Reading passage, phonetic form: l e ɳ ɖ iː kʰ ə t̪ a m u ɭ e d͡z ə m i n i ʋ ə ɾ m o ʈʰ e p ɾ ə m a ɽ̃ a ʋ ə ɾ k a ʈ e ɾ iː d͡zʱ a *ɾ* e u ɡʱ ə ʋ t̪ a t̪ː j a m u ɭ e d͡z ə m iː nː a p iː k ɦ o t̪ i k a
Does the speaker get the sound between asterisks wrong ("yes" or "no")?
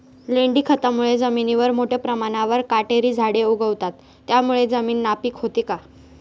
yes